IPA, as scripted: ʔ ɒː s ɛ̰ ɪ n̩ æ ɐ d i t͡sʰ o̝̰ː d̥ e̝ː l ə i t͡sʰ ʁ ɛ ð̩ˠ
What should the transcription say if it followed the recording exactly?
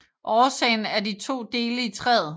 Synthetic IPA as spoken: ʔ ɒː s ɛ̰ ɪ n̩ æ ɐ d i t͡sʰ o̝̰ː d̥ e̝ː l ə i t͡sʰ ʁ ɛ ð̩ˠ